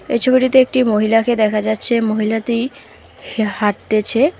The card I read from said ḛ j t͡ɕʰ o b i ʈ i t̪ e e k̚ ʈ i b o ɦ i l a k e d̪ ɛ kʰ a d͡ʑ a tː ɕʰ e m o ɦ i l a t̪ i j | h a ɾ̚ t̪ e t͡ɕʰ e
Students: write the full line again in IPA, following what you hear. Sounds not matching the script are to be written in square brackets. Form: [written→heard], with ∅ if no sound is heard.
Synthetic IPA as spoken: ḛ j t͡ɕʰ o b i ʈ i t̪ e e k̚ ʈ i [b→m] o ɦ i l a k e d̪ ɛ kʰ a d͡ʑ a tː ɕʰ e m o ɦ i l a t̪ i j | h a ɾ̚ t̪ e t͡ɕʰ e